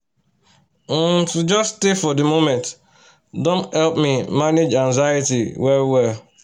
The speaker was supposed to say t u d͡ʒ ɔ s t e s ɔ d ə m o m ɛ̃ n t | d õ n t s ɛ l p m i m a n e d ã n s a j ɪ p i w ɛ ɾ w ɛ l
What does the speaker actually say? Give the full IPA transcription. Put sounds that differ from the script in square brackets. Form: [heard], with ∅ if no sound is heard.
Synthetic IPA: t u d͡ʒ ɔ s t e [f] ɔ d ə m o m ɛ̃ n t | d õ n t [h] ɛ l p m i m a n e [d͡ʒ] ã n [z] a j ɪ [t] i w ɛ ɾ w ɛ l